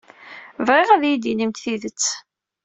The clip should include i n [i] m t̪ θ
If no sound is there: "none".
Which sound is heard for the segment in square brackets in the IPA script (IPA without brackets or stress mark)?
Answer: i